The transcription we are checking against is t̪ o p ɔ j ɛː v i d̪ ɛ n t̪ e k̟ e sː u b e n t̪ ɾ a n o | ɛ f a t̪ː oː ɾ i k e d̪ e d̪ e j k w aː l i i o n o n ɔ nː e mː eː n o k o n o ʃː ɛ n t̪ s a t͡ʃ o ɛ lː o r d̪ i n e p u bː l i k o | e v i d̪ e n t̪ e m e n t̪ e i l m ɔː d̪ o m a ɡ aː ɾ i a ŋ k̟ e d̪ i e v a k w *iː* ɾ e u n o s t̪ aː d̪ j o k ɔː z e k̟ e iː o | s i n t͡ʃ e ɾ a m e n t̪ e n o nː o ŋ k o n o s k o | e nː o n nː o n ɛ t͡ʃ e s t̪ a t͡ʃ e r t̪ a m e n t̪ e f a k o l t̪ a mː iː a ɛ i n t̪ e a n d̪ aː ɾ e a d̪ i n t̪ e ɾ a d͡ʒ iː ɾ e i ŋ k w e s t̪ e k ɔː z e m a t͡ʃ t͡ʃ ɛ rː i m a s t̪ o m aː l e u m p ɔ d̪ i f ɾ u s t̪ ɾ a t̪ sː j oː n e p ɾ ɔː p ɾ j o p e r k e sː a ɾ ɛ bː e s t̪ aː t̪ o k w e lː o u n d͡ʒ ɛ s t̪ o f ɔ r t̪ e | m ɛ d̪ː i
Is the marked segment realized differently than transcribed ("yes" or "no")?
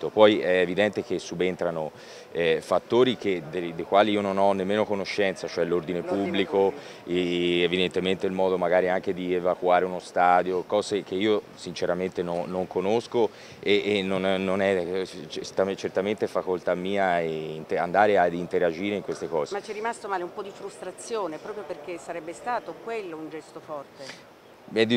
yes